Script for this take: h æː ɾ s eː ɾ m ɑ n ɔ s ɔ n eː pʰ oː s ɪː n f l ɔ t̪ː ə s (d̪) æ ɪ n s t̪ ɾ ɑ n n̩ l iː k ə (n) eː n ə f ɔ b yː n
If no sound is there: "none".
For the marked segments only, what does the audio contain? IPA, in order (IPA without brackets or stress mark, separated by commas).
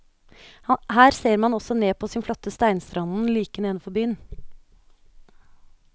t̪, n